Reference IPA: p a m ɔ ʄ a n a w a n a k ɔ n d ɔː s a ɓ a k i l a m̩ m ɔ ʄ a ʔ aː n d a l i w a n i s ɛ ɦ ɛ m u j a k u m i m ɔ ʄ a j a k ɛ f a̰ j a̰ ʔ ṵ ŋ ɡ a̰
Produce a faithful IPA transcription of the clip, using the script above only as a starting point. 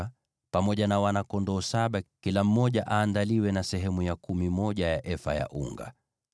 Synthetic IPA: p a m ɔ ʄ a n a w a n a k ɔ n d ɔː s a ɓ a k i l a m̩ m ɔ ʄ a ʔ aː n d a l i w ɛ n a s ɛ ɦ ɛ m u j a k u m i m ɔ ʄ a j a ʔ ɛ f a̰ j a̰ ʔ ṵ ŋ ɡ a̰